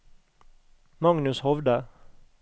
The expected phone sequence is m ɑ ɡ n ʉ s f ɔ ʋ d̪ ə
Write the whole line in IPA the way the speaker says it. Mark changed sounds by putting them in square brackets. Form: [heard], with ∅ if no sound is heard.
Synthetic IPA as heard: m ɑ [ŋ] n ʉ s [h] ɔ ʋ d̪ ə